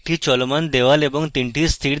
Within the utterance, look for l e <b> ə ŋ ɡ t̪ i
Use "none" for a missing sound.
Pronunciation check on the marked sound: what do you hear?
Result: b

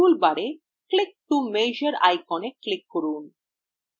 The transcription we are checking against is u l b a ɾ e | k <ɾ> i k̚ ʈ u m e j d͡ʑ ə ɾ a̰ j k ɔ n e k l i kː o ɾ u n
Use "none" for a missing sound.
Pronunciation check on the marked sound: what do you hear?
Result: l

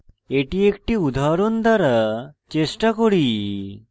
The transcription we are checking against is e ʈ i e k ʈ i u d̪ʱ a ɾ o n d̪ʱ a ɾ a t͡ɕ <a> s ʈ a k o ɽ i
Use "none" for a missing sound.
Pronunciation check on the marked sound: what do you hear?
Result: e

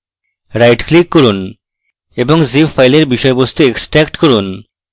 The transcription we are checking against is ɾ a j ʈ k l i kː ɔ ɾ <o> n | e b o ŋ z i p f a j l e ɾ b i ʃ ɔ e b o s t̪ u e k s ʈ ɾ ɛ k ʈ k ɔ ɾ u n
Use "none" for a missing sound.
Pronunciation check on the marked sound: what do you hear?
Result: u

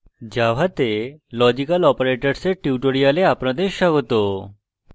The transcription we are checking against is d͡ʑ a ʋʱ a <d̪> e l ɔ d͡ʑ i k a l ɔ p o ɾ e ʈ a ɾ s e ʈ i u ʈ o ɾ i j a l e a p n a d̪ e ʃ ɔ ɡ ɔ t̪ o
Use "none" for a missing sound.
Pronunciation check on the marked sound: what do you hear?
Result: t̪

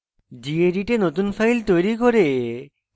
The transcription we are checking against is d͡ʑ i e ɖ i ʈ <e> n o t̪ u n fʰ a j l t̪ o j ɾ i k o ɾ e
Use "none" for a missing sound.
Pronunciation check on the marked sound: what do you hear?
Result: e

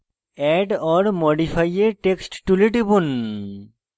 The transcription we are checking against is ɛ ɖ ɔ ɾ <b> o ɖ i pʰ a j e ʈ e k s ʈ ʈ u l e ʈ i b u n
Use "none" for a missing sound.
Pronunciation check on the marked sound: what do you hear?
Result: m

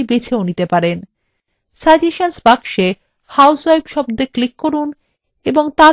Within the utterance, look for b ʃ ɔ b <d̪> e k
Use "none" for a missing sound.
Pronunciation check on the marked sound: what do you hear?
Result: d̪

